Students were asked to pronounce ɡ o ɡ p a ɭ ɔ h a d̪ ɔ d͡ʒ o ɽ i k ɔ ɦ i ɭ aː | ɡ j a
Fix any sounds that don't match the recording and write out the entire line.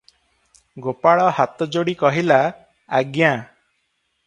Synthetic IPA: ɡ o p a ɭ ɔ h a t̪ ɔ d͡ʒ o ɽ i k ɔ ɦ i l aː | ɡ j a